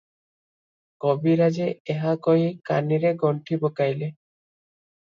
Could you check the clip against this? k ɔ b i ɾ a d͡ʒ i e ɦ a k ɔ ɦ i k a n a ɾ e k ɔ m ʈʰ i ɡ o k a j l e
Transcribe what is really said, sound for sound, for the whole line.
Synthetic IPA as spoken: k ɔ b i ɾ a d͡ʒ e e ɦ a k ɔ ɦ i k a n i ɾ e ɡ ɔ ɳ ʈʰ i b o k a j l e